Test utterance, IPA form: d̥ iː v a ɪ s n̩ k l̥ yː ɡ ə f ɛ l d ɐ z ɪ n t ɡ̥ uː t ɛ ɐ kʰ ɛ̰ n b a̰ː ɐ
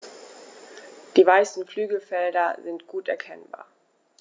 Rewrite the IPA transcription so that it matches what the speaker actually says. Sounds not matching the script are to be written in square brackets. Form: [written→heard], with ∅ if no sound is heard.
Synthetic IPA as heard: d̥ iː v a ɪ s n̩ k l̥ yː ɡ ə f ɛ l d ɐ z ɪ n t ɡ̥ uː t ɛ ɐ kʰ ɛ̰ n b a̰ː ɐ